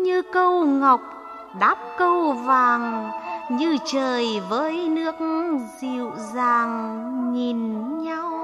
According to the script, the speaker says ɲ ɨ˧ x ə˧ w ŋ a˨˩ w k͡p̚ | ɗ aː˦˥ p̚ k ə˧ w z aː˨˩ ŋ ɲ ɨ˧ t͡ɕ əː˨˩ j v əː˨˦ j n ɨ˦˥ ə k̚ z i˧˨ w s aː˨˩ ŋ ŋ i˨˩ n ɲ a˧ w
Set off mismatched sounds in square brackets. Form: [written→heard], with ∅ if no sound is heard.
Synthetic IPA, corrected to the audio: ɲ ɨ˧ [x→k] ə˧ w ŋ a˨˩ w k͡p̚ | ɗ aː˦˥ p̚ k ə˧ w [z→v] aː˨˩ ŋ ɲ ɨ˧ t͡ɕ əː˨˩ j v əː˨˦ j n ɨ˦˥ ə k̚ z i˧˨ w [s→z] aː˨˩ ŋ [ŋ→ɲ] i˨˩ n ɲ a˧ w